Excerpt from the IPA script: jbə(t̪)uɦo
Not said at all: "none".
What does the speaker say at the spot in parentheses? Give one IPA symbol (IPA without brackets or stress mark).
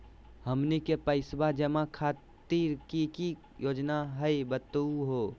t̪